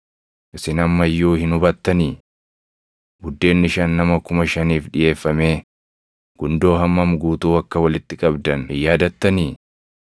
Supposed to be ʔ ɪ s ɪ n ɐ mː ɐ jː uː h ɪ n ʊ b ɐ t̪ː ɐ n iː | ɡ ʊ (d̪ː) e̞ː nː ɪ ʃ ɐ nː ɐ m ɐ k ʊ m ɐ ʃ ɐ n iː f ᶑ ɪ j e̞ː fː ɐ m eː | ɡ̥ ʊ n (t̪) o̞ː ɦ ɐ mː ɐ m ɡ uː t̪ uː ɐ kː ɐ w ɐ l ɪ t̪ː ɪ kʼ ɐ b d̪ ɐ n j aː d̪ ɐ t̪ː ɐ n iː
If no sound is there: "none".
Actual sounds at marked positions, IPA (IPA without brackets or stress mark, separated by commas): d̪ː, d̪